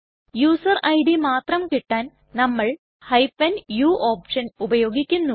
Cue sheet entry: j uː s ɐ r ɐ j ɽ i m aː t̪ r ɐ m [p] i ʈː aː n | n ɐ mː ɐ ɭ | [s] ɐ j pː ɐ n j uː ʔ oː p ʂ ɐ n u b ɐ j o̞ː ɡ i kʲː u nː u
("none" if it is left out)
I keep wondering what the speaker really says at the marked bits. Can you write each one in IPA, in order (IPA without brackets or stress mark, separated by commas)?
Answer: k, h